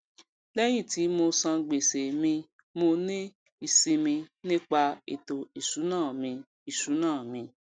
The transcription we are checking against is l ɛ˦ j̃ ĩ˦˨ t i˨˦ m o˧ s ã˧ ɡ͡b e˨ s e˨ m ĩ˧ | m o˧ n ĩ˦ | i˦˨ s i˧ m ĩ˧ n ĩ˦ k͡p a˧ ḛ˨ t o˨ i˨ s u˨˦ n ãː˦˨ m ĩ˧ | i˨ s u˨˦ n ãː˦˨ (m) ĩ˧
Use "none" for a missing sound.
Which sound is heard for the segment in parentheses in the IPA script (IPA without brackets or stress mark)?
m